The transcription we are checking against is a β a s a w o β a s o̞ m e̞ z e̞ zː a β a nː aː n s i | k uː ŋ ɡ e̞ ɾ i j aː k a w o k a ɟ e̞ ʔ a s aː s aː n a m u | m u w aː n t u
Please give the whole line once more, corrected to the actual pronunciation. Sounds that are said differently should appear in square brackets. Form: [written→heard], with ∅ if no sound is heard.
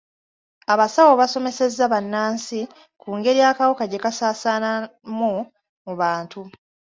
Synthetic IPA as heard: a β a s a w o β a s o̞ m e̞ [z→s] e̞ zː a β a nː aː n s i | k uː ŋ ɡ e̞ ɾ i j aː k a w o k a ɟ e̞ [ʔ→k] a s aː s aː n a m u | m u [w→β] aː n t u